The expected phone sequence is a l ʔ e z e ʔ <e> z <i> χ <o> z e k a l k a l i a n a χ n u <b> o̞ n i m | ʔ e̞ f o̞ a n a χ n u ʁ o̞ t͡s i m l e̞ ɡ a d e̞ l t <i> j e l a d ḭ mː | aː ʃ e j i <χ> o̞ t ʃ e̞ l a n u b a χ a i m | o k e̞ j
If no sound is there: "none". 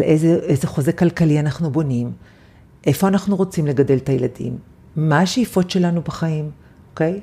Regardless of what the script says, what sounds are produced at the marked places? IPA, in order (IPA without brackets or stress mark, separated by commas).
e, e, o, b, a, f